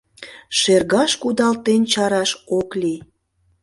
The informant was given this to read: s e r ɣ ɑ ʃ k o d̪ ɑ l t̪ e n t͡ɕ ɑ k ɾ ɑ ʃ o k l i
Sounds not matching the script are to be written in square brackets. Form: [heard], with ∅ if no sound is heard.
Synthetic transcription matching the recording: [ʃ] e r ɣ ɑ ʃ k [u] d̪ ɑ l t̪ e n t͡ɕ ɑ [∅] ɾ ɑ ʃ o k l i